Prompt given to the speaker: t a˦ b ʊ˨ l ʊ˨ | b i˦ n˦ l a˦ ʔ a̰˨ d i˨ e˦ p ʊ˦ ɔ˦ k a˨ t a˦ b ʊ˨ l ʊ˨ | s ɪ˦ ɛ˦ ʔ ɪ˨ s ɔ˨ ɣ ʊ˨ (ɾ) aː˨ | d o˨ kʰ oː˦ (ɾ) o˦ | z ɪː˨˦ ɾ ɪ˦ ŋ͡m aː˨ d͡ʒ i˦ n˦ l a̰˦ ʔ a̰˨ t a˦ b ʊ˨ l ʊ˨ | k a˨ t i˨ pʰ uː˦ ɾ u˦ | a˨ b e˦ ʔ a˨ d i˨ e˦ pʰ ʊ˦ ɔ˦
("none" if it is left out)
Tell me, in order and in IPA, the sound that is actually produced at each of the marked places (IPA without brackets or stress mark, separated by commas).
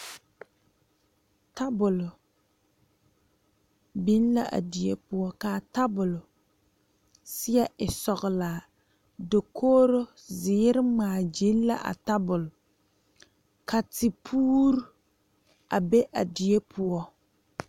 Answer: l, ɾ